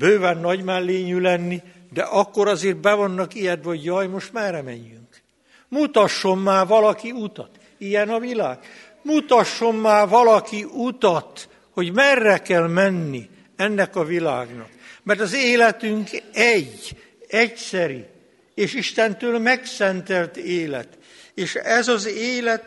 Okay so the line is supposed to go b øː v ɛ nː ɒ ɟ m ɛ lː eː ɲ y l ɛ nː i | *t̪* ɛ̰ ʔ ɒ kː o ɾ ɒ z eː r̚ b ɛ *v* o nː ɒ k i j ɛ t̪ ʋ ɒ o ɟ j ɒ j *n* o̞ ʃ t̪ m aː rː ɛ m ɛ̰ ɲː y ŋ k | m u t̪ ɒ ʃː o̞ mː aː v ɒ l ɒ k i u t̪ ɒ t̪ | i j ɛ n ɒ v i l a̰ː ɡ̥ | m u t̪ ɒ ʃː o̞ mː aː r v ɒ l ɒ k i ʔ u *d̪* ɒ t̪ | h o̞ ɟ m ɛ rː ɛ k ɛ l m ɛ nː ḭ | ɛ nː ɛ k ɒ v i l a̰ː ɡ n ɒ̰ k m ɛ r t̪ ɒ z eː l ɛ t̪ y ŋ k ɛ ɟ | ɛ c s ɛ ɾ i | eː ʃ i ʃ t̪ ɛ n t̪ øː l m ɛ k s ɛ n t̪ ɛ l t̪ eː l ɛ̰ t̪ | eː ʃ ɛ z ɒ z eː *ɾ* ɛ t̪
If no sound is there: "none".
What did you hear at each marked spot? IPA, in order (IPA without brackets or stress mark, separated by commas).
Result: d̪, v, m, t̪, l